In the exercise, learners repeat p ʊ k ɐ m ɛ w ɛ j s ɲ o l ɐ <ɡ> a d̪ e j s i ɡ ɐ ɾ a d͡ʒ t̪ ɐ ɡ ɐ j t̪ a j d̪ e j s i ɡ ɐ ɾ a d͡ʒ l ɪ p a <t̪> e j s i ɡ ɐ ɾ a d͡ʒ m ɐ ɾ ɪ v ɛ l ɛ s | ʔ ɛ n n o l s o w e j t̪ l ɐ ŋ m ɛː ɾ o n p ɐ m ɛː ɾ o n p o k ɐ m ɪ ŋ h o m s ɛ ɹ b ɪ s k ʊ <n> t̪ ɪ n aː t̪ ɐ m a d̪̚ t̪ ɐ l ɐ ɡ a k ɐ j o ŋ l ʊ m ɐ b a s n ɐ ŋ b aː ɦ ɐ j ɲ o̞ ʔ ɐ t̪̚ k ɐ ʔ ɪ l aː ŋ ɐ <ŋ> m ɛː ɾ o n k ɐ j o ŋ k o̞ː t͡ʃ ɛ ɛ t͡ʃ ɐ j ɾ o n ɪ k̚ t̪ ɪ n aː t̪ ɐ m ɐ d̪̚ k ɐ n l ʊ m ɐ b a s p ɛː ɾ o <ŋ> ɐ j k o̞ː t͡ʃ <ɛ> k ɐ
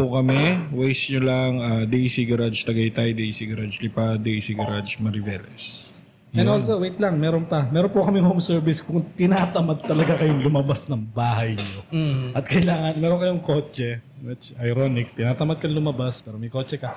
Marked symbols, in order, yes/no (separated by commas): no, no, no, no, no, yes